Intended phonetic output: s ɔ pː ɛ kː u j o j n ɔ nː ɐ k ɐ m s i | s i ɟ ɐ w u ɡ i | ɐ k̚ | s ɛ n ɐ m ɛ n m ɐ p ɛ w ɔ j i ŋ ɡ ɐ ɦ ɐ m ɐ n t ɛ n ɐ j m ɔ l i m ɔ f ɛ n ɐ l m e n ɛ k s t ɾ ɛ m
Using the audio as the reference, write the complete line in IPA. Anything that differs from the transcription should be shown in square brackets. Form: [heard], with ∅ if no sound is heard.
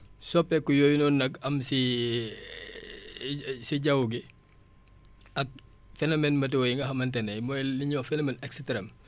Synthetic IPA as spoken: s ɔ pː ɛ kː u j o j n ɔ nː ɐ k ɐ m s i | s i ɟ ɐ w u ɡ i | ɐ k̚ | [f] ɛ n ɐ m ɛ n m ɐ [t] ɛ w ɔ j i ŋ ɡ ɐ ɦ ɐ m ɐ n t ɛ n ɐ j m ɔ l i [ɲ] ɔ f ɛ n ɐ [∅] m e n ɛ k s t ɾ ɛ m